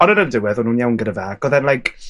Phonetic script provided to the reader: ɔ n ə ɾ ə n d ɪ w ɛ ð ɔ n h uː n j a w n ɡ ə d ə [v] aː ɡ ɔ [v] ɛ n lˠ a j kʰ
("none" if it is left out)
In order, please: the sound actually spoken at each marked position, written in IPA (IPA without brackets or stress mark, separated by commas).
v, ð